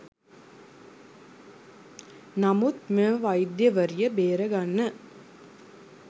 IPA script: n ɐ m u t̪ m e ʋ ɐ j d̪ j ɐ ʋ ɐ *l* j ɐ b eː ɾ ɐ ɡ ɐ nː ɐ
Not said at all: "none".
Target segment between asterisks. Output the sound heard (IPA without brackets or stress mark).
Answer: ɾ